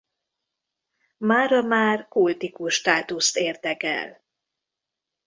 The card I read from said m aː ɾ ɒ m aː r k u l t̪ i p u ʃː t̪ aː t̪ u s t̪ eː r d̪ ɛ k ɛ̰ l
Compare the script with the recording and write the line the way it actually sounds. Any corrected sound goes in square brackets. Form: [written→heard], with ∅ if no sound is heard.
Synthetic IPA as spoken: m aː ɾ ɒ m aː r k u l t̪ i [p→k] u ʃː t̪ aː t̪ u s t̪ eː r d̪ ɛ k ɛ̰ l